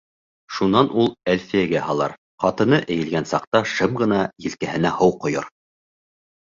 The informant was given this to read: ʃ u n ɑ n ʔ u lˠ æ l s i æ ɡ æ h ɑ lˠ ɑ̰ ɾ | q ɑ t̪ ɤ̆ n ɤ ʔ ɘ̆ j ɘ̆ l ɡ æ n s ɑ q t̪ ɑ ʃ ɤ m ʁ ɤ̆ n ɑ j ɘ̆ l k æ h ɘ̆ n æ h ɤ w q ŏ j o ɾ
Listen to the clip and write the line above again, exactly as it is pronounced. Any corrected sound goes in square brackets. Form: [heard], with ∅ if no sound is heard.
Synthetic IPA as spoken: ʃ u n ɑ n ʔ u lˠ æ l [f] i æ ɡ æ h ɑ lˠ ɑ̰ ɾ | q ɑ t̪ ɤ̆ n ɤ ʔ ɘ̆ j ɘ̆ l ɡ æ n s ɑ q t̪ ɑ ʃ ɤ m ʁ ɤ̆ n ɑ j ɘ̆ l k æ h ɘ̆ n æ h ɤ w q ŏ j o ɾ